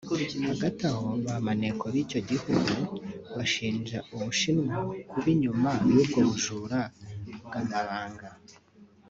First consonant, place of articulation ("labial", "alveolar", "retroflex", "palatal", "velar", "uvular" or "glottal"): glottal